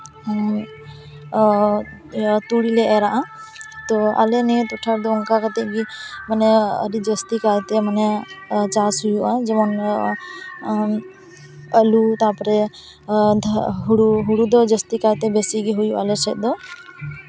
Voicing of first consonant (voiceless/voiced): voiceless